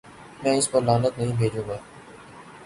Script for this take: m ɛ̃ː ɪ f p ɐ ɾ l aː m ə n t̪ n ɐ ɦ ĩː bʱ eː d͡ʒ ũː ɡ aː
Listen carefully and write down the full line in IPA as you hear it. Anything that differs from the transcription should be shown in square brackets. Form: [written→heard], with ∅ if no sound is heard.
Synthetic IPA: m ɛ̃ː ɪ [f→s] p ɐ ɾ l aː [m→n] ə [n→∅] t̪ n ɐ ɦ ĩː bʱ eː d͡ʒ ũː ɡ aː